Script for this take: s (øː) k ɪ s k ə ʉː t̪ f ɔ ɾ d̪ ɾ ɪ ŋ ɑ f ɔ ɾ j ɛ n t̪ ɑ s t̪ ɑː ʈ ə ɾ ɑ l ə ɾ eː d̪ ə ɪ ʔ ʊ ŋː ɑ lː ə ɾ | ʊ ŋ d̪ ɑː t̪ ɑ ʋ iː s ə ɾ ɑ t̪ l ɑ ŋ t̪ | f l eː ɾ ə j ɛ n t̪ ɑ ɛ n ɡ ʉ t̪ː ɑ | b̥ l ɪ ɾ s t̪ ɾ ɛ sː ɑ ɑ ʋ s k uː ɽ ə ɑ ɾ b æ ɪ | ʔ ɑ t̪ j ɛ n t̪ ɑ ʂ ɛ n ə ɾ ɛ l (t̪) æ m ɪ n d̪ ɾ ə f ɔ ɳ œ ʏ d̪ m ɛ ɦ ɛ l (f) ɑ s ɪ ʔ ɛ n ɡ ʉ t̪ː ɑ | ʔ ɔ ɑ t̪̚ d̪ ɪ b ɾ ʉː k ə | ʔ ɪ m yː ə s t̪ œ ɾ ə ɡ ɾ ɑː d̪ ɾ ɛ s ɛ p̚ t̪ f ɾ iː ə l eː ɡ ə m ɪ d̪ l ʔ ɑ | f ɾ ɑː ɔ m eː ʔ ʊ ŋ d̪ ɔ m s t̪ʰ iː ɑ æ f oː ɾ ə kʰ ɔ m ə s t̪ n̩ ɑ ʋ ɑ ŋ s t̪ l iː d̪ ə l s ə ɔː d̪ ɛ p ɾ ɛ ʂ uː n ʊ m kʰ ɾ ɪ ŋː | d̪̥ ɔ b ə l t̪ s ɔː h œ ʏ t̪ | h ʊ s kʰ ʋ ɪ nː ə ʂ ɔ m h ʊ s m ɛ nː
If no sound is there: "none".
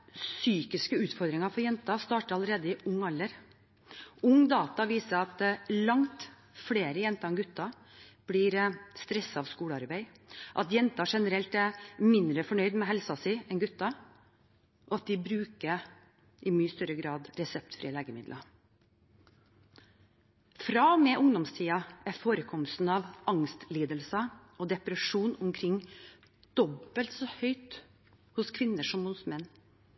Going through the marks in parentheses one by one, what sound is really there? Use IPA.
yː, t̪, s

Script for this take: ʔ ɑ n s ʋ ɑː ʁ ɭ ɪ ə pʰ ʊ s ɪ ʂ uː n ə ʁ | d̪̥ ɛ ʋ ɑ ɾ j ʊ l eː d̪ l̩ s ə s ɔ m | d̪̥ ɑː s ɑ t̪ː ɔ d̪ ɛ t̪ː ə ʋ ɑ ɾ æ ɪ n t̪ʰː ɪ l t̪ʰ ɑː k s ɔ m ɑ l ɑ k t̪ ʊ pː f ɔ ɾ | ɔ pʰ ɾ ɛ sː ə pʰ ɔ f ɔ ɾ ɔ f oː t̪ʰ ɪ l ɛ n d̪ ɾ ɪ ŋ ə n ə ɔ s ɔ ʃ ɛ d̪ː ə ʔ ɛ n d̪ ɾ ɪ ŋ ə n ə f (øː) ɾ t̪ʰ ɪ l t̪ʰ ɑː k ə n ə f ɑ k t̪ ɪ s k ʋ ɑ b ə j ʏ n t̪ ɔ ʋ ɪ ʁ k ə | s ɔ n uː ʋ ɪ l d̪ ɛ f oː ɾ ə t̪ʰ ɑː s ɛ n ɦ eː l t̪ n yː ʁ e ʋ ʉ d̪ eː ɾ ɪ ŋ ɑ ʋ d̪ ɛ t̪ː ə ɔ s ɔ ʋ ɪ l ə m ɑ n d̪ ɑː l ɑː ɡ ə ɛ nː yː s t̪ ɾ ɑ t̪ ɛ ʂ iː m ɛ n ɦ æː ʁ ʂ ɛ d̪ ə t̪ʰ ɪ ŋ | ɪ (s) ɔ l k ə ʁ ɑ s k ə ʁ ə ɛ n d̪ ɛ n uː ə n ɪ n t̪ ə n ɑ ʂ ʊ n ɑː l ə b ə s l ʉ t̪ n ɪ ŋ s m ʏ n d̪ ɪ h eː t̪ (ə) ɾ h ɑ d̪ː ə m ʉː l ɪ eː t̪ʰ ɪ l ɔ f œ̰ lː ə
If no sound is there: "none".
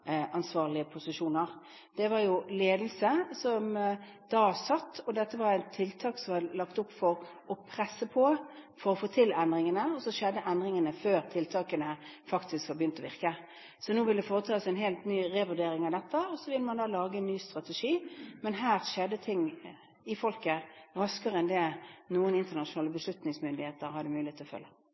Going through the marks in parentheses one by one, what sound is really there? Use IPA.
øː, f, ə

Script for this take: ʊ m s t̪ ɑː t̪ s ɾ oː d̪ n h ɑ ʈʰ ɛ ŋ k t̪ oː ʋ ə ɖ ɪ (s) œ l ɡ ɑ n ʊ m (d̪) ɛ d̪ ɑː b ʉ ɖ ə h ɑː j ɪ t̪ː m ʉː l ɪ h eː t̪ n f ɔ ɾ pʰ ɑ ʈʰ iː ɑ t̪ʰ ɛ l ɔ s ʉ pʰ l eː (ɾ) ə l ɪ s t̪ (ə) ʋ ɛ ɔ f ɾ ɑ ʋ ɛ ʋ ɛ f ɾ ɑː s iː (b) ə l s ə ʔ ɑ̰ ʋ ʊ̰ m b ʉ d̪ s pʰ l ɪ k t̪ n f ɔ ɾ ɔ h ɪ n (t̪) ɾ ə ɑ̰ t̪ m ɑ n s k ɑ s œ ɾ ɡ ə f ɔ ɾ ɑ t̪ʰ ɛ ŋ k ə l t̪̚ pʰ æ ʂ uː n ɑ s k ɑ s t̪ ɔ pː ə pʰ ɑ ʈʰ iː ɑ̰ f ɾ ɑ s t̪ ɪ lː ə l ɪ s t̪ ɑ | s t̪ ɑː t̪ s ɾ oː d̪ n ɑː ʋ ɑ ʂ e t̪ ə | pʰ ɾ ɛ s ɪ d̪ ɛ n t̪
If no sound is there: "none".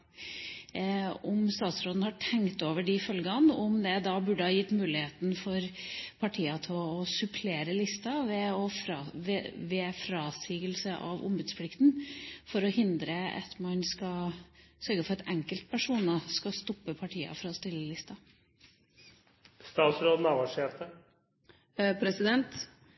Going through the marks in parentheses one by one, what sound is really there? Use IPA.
f, d̪, ɾ, ɑ, ɡ, d̪

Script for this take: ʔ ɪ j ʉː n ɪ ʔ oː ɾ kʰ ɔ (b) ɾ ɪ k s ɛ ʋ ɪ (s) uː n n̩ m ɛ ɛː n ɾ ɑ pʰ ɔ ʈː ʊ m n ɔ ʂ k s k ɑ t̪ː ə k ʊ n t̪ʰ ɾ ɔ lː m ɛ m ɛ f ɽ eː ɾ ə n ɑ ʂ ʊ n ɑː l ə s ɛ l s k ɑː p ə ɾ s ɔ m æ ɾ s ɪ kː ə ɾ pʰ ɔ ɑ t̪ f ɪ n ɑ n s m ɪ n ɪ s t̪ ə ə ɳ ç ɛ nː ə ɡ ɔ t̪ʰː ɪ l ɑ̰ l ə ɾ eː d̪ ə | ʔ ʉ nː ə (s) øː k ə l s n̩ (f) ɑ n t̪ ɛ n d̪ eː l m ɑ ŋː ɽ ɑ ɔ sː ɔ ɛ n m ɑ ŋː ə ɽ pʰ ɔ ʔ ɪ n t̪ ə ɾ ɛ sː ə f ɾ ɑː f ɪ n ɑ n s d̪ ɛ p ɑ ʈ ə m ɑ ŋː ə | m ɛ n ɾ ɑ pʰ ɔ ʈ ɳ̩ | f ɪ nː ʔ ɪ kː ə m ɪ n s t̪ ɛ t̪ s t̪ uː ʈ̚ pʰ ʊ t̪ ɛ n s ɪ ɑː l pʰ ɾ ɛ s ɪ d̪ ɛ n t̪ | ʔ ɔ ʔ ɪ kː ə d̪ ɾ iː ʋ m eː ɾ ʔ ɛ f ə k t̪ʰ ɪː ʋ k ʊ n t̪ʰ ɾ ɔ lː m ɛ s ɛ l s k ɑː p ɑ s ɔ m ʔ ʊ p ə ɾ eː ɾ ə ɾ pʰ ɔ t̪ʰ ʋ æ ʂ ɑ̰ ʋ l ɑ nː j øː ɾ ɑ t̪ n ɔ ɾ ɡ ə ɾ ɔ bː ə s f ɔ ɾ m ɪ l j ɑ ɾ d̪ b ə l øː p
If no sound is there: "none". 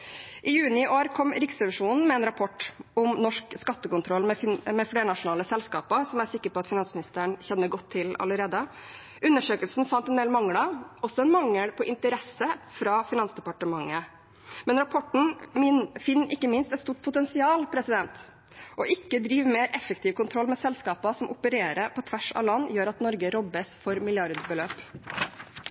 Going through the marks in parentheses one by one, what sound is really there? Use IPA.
m, ʂ, ʂ, f

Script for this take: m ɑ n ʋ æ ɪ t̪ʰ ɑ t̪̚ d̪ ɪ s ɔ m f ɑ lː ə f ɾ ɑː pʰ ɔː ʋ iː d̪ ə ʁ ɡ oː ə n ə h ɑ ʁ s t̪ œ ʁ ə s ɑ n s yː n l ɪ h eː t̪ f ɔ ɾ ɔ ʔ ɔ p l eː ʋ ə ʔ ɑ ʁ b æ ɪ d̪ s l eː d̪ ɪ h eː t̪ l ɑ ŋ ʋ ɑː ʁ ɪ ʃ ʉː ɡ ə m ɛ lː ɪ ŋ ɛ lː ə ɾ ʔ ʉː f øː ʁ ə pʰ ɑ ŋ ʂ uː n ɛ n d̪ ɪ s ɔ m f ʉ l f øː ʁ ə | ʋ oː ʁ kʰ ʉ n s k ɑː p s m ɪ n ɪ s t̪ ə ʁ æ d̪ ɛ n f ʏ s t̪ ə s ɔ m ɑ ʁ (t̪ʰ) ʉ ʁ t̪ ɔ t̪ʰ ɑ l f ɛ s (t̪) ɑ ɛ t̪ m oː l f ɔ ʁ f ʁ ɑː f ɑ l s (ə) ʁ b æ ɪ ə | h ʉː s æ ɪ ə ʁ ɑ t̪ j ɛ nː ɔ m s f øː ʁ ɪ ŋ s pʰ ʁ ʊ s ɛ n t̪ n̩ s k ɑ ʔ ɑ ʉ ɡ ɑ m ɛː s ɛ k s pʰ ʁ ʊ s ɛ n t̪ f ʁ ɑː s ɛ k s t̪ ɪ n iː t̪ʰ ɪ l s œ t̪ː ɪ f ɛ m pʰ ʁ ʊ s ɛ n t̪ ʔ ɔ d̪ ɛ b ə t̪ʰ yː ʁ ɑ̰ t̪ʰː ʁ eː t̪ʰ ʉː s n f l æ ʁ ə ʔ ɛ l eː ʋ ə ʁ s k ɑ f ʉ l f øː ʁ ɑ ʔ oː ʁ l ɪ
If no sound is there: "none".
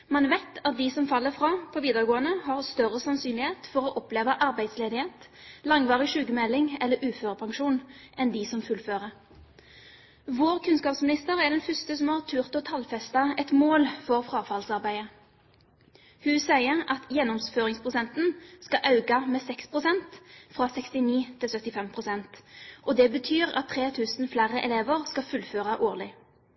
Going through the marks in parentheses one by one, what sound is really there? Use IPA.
t̪ʰ, t̪, ɑ

